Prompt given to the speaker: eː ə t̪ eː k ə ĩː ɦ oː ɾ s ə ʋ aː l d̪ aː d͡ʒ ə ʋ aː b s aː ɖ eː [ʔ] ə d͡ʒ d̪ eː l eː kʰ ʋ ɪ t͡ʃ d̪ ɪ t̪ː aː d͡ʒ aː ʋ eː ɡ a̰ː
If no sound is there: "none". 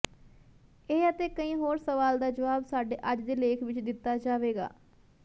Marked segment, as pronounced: ʔ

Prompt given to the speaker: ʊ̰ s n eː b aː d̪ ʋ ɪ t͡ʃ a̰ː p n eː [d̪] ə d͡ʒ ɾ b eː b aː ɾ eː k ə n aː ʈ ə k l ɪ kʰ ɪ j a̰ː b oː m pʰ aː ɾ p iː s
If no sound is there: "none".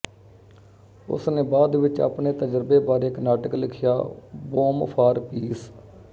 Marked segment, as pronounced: t̪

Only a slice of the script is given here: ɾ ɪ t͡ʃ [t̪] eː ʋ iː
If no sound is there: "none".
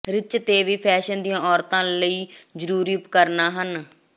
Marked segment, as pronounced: t̪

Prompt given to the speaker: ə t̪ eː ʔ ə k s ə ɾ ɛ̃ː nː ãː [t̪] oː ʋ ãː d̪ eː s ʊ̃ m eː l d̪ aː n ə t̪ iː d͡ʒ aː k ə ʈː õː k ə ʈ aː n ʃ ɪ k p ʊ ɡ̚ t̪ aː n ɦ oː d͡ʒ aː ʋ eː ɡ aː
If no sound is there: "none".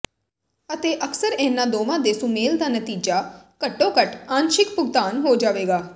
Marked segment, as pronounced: d̪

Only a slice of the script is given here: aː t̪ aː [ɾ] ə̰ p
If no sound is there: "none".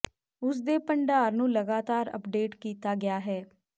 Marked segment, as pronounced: ɾ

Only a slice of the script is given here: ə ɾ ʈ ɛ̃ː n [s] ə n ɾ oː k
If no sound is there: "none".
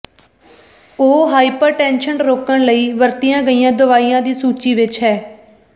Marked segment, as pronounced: ʃ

